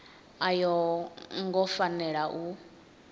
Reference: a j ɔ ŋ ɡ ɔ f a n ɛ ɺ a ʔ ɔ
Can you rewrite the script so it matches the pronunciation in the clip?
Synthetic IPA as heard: a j ɔ ŋ ɡ ɔ f a n ɛ ɺ a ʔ u

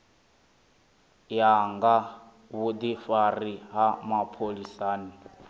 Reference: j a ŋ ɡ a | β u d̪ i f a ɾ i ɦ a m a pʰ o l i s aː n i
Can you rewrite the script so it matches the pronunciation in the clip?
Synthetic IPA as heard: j a ŋ ɡ a | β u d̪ i f a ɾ i ɦ a m a pʰ o l i s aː n i

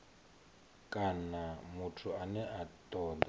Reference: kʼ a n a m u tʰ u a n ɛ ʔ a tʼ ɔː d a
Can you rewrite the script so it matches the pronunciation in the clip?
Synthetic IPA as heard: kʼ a n a m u tʰ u a n ɛ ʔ a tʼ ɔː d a

